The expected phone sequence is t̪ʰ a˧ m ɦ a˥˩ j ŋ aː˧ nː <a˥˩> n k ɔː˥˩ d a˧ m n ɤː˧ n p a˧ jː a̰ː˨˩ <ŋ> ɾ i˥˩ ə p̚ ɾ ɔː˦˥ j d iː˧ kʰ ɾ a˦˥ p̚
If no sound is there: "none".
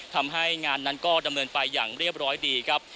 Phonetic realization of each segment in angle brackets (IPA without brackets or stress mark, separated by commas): a˦˥, ŋ